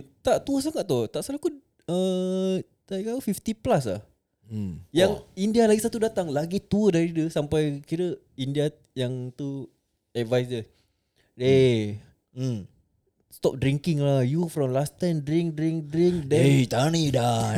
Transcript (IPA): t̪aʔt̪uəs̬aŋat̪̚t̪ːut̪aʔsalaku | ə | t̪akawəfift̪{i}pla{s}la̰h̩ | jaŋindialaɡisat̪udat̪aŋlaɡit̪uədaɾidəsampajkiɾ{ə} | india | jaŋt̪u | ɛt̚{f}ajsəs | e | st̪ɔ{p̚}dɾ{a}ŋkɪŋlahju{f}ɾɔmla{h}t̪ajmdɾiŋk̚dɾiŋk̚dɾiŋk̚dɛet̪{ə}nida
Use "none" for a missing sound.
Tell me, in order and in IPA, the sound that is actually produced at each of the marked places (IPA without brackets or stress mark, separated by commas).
i, s, ə, v, p̚, i, f, s, a